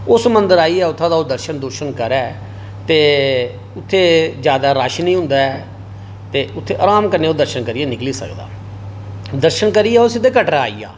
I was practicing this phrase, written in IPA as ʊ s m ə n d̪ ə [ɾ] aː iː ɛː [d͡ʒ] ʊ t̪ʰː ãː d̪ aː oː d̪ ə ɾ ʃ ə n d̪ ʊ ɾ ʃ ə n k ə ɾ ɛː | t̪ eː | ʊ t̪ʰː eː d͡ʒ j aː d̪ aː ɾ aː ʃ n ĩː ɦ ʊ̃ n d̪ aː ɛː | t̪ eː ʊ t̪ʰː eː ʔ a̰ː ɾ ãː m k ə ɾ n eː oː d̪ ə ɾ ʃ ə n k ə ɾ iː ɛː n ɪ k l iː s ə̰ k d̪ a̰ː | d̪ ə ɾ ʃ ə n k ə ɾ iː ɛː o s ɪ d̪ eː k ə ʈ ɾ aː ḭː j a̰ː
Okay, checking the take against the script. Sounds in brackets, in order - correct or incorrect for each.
correct, incorrect: none

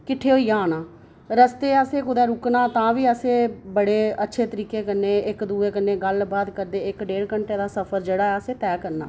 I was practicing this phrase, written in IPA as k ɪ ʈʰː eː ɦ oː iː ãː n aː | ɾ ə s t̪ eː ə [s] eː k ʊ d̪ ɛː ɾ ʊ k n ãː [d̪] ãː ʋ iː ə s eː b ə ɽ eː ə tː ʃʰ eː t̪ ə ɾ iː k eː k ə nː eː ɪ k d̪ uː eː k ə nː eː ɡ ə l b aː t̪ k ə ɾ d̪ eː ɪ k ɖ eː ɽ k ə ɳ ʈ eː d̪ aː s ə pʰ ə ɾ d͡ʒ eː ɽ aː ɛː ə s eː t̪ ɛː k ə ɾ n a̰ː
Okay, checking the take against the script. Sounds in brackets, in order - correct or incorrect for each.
correct, incorrect: t̪

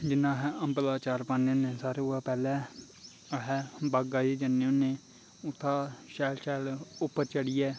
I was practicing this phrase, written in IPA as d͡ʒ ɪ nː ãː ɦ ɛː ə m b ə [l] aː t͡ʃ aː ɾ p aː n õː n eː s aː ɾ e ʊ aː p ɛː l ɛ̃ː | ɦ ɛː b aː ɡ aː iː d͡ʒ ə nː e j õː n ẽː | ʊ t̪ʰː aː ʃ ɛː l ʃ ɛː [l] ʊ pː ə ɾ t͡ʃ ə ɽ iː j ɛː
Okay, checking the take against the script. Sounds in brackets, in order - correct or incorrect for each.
correct, correct

